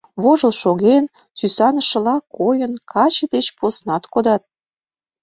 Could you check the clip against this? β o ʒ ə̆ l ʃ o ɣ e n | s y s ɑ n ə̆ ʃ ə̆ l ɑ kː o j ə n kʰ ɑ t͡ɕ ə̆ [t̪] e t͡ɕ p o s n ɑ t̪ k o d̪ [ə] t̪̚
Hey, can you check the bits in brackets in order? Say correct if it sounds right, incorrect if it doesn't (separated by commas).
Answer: incorrect, incorrect